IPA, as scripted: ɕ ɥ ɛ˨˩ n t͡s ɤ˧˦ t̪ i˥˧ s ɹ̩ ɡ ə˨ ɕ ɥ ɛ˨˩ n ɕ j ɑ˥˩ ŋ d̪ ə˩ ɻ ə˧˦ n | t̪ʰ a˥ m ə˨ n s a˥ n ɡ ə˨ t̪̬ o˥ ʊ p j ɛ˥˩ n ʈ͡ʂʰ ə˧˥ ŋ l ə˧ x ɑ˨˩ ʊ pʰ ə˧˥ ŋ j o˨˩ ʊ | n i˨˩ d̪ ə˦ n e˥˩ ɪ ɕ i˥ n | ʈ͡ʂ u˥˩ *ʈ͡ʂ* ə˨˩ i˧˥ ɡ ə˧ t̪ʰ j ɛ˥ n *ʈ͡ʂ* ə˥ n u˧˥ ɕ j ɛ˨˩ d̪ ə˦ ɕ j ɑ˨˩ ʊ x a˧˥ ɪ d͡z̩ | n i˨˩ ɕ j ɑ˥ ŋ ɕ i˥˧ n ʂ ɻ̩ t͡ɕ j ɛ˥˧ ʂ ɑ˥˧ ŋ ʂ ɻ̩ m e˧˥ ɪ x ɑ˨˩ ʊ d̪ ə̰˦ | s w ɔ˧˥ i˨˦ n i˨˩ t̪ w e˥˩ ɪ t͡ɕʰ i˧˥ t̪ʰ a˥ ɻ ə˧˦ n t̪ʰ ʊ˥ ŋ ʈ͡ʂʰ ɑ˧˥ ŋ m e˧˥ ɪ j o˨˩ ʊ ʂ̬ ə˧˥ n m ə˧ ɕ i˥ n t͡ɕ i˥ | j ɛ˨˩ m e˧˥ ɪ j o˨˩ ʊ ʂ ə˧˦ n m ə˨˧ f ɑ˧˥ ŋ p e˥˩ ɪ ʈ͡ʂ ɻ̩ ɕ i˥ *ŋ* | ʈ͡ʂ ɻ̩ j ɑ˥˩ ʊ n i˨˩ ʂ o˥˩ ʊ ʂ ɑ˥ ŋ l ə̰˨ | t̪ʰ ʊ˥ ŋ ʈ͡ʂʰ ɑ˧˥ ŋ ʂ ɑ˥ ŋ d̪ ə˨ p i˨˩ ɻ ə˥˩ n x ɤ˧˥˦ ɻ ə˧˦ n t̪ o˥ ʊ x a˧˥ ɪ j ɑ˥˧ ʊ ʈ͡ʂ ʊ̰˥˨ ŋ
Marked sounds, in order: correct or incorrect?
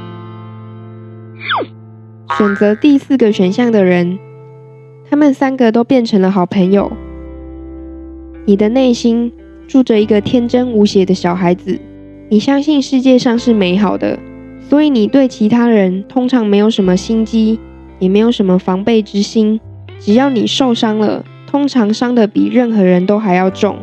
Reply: correct, correct, incorrect: n

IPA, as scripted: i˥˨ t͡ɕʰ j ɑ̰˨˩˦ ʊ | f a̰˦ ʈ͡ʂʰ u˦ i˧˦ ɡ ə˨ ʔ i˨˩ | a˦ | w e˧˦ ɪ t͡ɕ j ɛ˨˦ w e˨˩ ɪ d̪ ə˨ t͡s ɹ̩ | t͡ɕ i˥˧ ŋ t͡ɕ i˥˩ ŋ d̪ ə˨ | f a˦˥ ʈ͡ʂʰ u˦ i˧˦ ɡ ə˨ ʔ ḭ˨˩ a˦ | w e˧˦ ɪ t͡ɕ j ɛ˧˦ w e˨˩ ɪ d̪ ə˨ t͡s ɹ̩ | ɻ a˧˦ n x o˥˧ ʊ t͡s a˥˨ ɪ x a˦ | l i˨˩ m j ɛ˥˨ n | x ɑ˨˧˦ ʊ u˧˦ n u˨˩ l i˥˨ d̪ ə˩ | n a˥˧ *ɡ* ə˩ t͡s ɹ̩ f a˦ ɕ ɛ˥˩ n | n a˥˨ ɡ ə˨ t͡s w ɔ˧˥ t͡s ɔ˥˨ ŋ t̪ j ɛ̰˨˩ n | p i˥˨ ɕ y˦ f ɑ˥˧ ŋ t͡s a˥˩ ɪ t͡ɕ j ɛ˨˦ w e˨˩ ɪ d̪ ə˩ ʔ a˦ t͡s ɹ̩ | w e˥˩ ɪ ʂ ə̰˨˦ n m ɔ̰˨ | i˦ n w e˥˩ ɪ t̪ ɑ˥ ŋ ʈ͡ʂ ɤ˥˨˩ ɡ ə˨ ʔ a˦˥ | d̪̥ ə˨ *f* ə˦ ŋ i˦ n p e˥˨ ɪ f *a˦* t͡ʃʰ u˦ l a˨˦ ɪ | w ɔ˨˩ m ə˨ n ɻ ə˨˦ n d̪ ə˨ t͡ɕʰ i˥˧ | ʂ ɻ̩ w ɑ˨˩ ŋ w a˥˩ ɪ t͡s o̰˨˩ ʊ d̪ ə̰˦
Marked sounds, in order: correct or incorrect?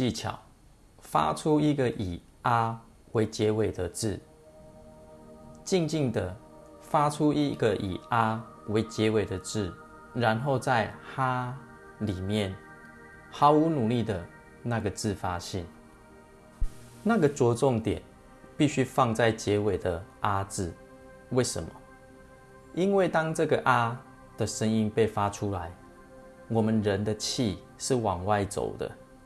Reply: correct, incorrect: ʂ, correct

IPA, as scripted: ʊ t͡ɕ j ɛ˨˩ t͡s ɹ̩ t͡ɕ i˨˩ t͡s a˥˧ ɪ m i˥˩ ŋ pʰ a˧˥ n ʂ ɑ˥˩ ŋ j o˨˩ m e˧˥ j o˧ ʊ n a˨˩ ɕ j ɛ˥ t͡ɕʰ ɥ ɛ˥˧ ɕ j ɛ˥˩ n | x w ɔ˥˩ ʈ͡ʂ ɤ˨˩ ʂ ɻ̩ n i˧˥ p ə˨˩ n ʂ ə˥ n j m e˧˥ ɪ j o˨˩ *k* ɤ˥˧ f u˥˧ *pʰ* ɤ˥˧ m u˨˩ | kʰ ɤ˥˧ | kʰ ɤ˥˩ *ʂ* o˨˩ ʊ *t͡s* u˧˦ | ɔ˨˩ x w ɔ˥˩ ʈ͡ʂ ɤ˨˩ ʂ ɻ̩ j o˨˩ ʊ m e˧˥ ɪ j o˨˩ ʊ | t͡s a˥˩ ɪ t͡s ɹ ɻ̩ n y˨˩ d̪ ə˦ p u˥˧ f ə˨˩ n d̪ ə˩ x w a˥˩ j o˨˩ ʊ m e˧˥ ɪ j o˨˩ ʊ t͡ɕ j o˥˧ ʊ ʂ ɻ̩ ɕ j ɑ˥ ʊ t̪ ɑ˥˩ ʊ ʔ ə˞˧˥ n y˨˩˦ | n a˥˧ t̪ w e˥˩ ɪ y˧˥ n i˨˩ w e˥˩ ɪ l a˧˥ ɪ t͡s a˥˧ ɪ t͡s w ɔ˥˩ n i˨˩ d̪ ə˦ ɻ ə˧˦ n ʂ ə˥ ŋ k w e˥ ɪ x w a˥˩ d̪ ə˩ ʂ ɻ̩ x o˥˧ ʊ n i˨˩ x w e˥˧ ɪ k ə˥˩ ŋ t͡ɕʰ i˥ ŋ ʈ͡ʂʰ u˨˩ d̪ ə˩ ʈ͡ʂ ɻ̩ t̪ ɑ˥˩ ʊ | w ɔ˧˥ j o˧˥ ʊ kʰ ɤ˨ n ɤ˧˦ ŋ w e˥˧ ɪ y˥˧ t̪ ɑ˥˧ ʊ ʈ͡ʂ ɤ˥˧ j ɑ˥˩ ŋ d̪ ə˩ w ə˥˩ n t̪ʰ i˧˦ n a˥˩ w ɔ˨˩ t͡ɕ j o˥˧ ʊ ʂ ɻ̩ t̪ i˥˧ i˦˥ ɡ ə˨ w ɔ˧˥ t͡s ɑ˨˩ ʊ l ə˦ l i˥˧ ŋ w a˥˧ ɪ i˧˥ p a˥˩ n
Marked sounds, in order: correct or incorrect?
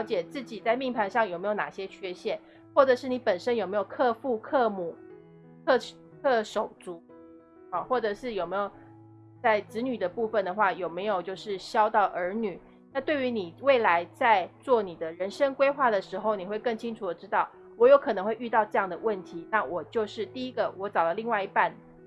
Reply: incorrect: kʰ, incorrect: kʰ, correct, correct

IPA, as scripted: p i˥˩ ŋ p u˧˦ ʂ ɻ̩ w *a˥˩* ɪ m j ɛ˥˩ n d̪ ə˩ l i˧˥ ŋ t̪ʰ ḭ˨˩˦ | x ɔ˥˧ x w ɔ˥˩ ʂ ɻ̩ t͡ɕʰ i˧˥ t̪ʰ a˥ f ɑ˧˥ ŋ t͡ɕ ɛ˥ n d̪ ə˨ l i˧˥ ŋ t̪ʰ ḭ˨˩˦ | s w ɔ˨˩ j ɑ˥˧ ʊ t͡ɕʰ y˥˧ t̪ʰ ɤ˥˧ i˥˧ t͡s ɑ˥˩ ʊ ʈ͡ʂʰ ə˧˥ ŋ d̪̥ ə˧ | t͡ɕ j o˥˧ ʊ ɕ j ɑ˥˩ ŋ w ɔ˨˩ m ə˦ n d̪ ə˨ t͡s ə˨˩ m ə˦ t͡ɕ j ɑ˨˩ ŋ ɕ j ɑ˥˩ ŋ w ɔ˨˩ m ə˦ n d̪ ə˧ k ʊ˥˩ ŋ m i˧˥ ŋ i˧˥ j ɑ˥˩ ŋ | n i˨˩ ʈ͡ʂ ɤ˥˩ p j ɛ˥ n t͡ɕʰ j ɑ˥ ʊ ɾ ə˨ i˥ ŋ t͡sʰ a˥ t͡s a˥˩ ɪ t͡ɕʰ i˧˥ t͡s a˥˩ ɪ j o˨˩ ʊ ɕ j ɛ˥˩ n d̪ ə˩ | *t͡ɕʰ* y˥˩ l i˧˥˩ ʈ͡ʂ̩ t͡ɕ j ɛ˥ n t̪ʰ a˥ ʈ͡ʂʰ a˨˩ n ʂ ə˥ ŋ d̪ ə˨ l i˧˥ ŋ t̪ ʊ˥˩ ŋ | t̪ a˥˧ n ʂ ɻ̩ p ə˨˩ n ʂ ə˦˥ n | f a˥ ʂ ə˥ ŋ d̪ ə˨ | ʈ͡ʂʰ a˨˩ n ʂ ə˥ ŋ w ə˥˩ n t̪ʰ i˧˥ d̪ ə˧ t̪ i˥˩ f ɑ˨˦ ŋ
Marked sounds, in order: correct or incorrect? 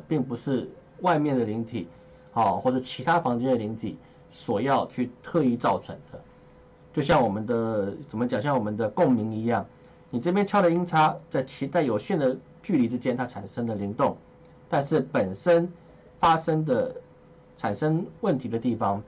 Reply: incorrect: a˥˧, incorrect: t͡ɕ

